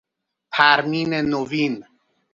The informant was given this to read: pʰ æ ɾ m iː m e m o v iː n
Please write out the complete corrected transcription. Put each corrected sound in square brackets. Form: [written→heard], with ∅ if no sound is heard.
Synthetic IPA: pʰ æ ɾ m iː [m→n] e [m→n] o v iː n

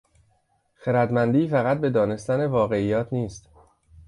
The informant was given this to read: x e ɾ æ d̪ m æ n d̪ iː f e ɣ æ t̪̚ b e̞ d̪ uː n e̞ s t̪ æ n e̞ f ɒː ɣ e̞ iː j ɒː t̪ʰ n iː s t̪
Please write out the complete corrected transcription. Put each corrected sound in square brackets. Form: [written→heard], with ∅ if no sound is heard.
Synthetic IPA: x e ɾ æ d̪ m æ n d̪ iː f [e→æ] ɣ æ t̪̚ b e̞ d̪ [uː→ɒː] n e̞ s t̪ æ n e̞ [f→v] ɒː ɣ e̞ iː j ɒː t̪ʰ n iː s t̪

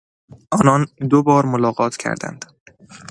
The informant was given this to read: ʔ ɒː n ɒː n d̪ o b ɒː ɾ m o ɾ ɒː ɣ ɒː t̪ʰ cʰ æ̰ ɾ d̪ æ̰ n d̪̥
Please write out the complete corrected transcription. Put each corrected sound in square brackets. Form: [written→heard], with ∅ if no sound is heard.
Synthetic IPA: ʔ ɒː n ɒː n d̪ o b ɒː ɾ m o [ɾ→l] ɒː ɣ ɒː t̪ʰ cʰ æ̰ ɾ d̪ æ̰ n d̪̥

